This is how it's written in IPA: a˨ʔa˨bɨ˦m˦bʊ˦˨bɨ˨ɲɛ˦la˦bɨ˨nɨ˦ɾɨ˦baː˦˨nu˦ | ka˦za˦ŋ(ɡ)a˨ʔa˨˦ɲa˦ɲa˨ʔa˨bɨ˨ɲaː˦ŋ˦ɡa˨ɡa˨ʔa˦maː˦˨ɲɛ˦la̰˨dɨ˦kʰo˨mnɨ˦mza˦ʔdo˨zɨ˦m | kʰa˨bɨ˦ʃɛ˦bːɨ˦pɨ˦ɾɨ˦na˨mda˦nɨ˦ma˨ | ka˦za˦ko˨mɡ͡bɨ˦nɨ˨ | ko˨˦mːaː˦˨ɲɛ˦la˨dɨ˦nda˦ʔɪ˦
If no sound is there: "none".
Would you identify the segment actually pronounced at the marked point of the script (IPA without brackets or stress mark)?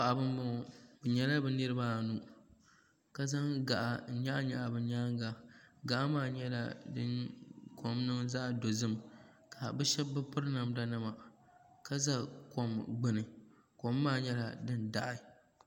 ɡ